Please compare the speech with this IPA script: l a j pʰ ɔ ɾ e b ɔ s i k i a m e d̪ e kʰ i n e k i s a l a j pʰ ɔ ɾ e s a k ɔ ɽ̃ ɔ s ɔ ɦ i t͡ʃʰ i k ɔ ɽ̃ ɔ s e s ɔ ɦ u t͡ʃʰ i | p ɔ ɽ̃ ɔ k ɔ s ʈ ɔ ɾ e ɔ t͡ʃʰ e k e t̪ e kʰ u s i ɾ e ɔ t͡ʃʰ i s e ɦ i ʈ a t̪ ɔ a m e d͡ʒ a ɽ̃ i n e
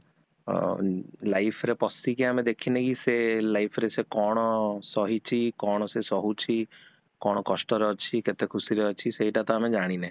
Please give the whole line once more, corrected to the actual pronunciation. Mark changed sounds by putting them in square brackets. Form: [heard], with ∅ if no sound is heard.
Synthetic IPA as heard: l a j pʰ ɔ ɾ e [p] ɔ s i k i a m e d̪ e kʰ i n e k i s [e] l a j pʰ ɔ ɾ e s [e] k ɔ ɽ̃ ɔ s ɔ ɦ i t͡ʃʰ i k ɔ ɽ̃ ɔ s e s ɔ ɦ u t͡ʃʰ i | [k] ɔ ɽ̃ ɔ k ɔ s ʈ ɔ ɾ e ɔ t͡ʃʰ [i] k e t̪ e kʰ u s i ɾ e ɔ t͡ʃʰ i s e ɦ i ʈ a t̪ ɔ a m e d͡ʒ a ɽ̃ i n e

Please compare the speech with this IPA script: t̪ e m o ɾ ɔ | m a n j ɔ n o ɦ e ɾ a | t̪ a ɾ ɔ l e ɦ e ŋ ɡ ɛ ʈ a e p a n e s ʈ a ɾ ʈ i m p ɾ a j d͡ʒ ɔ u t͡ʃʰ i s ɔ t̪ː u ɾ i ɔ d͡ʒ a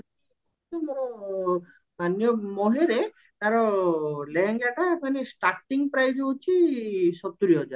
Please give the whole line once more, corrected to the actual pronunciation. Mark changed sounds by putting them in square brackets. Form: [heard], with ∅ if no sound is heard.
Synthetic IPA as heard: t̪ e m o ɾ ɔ | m a n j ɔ [m] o ɦ e ɾ [e] | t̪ a ɾ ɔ l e ɦ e ŋ ɡ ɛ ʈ a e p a n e s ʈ a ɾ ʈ i [ŋ] p ɾ a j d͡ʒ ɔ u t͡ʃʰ i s ɔ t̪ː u ɾ i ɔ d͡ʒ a

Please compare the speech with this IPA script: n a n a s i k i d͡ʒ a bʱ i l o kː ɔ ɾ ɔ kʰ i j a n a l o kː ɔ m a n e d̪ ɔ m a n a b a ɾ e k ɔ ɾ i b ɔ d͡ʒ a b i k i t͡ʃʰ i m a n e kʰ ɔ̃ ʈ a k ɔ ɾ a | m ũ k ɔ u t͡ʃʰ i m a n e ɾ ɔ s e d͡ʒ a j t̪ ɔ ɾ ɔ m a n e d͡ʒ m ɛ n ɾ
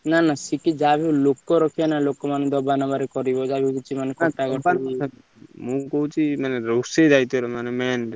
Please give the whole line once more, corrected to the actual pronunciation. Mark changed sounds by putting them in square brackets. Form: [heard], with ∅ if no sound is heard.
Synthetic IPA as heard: n a n a s i k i d͡ʒ a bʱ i l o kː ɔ ɾ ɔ kʰ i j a n a l o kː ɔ m a n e d̪ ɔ [b] a n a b a ɾ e k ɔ ɾ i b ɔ d͡ʒ a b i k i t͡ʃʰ i m a n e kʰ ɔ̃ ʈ a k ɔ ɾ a | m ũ k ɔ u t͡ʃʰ i m a n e ɾ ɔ s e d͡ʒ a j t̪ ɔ ɾ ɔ m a n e [∅] m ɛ n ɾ

